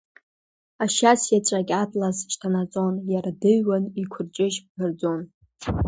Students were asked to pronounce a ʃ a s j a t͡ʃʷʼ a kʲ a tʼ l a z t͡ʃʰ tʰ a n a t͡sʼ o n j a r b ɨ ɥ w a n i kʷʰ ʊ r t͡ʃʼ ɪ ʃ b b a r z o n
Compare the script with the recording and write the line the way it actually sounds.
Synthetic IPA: a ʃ a s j a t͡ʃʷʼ a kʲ a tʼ l a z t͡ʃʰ tʰ a n a t͡sʼ o n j a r d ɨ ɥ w a n i kʷʰ ʊ r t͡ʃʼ ɪ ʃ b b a r d͡z o n